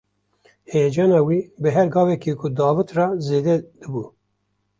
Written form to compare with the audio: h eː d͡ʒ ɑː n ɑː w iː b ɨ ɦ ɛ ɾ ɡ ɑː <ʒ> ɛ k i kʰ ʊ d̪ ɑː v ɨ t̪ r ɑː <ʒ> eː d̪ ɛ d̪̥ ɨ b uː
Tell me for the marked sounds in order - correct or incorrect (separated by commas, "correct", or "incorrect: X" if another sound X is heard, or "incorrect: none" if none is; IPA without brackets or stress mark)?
incorrect: v, incorrect: z